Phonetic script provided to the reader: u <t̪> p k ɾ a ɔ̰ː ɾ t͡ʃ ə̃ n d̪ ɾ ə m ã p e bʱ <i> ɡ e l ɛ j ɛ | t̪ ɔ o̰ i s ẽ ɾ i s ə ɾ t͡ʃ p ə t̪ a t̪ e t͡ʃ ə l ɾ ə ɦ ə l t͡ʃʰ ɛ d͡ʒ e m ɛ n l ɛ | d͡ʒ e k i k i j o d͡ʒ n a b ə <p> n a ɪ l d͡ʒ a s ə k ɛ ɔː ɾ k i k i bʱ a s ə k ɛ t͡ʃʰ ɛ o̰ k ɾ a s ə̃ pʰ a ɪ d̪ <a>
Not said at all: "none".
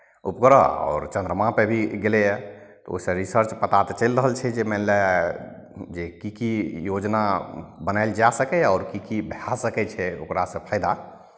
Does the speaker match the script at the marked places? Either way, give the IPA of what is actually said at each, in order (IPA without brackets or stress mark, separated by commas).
none, i, none, a